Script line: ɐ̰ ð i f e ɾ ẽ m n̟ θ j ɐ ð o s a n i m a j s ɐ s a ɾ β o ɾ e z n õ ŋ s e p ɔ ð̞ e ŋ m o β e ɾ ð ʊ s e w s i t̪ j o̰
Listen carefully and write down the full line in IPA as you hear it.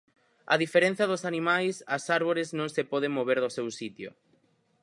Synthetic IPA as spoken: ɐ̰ ð i f e ɾ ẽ n̟ θ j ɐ ð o s a n i m a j s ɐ s a ɾ β o ɾ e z n õ ŋ s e p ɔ ð̞ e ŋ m o β e ɾ ð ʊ s e w s i t̪ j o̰

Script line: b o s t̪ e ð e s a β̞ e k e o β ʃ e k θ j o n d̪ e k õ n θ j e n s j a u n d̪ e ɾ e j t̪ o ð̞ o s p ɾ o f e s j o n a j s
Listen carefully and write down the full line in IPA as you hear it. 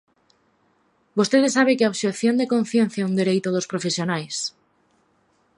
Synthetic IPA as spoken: b o s t̪ e ð e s a β̞ e k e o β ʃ e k θ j o n d̪ e k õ n θ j e n θ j a u n d̪ e ɾ e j t̪ o ð̞ o s p ɾ o f e s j o n a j s

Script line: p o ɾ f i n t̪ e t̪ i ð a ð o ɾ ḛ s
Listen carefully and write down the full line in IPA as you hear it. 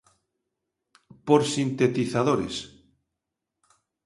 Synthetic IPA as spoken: p o ɾ s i n t̪ e t̪ i θ a ð o ɾ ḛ s

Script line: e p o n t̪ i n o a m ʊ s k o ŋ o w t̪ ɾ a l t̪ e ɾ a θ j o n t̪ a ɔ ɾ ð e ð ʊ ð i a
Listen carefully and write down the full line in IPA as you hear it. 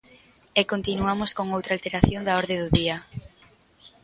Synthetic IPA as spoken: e k o n t̪ i n u a m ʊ s k o ŋ o w t̪ ɾ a l t̪ e ɾ a θ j o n d̪ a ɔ ɾ ð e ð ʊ ð i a

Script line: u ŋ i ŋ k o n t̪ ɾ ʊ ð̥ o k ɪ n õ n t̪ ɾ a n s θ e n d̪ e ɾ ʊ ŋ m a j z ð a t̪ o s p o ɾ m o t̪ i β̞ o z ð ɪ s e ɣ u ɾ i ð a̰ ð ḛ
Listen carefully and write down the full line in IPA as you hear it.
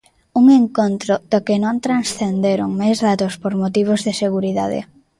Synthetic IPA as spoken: u ŋ e ŋ k o n t̪ ɾ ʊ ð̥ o k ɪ n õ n t̪ ɾ a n s θ e n d̪ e ɾ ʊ ŋ m a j z ð a t̪ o s p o ɾ m o t̪ i β̞ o z ð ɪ s e ɣ u ɾ i ð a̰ ð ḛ

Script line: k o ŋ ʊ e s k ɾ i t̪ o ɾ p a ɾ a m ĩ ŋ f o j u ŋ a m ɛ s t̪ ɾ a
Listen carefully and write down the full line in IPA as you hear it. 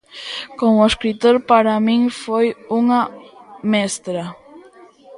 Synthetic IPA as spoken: k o ŋ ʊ e s k ɾ i t̪ o ɾ p a ɾ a m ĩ ŋ f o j u ŋ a m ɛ s t̪ ɾ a

